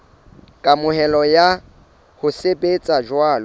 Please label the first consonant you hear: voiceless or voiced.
voiceless